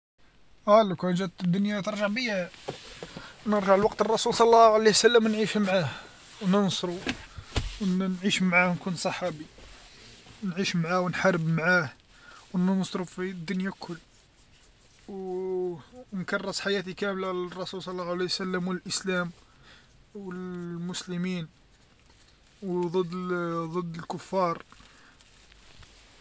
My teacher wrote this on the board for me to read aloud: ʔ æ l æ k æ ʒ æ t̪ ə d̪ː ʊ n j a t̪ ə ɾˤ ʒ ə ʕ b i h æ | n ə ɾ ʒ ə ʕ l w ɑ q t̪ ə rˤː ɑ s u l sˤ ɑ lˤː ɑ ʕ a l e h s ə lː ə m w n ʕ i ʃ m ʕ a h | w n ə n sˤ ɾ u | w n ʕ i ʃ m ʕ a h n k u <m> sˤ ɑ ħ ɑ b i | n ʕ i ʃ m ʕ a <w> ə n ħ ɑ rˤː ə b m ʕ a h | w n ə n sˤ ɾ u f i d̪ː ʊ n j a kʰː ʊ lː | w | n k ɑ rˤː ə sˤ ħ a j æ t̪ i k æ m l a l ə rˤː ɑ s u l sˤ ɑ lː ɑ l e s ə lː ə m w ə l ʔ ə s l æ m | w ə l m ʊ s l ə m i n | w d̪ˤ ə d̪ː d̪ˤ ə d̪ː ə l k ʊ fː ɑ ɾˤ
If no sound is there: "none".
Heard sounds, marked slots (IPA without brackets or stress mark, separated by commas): n, w